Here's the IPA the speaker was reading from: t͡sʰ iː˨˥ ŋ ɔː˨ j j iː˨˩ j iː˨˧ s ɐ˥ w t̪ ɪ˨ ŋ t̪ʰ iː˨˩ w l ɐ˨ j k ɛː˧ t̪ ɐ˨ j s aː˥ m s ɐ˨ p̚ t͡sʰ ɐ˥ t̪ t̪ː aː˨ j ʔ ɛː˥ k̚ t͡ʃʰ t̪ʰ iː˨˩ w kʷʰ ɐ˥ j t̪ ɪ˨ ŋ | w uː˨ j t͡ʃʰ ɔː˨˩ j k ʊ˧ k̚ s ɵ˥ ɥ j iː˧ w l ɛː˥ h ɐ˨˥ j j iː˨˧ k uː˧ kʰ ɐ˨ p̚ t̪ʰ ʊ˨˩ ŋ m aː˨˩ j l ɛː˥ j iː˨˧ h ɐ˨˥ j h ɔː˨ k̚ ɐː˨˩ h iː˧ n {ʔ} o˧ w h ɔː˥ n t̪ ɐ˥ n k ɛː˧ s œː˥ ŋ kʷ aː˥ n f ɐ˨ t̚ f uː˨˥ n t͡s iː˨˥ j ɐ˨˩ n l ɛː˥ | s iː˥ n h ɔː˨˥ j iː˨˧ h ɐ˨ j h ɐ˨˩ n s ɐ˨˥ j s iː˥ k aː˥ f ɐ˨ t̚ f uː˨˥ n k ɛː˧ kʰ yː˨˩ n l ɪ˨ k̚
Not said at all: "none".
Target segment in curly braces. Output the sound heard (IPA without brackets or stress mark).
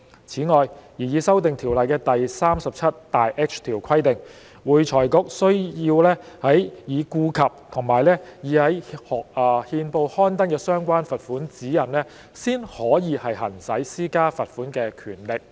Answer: p